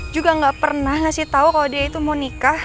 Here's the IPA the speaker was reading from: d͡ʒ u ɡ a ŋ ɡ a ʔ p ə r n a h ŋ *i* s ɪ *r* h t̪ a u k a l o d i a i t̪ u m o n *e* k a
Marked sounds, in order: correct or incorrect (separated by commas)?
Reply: incorrect, incorrect, incorrect